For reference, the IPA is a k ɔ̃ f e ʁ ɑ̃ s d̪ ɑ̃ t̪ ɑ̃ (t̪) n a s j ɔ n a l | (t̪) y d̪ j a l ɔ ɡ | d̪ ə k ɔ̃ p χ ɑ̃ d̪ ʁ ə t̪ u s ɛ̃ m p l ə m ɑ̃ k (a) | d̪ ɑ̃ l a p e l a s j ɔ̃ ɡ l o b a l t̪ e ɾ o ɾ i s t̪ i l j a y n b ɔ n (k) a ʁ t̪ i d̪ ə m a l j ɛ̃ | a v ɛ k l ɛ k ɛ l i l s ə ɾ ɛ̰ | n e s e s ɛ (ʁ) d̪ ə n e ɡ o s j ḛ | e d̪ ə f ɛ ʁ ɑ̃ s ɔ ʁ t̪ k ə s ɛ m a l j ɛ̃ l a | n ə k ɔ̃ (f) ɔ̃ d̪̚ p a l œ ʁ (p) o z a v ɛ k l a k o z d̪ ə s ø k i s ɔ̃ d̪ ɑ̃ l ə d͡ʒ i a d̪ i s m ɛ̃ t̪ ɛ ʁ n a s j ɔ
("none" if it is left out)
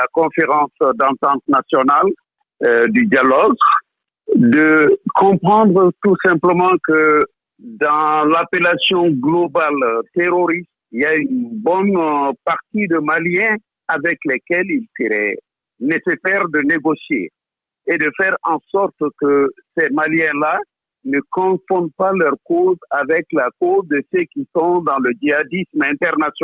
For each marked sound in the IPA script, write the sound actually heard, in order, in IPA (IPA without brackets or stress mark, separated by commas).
t̪, d̪, ə, p, ʁ, f, k